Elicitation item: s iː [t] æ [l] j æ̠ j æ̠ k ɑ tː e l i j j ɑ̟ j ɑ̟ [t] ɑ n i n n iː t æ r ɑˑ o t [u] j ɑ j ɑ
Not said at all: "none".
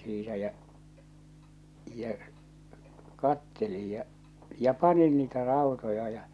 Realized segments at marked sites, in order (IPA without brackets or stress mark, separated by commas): t, none, p, o